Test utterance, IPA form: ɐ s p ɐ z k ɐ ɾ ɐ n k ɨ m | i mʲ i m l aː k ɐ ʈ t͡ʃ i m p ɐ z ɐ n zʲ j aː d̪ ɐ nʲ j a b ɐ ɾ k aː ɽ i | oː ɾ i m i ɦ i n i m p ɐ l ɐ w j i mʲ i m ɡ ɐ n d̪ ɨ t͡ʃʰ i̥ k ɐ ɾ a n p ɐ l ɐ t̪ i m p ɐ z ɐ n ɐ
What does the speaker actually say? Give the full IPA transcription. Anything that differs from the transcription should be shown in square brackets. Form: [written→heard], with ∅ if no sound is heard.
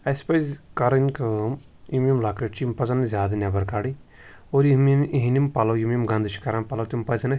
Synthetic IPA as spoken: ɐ s p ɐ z k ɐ ɾ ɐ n k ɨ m | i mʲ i m l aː k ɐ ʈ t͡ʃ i m p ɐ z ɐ n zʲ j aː d̪ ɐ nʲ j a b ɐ ɾ k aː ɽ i | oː ɾ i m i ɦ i n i m p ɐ l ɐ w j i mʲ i m ɡ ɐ n d̪ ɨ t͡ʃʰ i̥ k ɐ ɾ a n p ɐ l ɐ t̪ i m p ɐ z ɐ n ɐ